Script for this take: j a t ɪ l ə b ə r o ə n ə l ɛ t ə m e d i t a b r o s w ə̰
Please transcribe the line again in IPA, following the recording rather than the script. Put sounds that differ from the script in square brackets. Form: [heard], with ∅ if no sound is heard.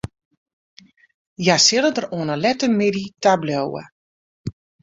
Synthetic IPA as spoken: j a [s] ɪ l ə [d] ə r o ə n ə l ɛ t ə m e d i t a b [l] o [∅] w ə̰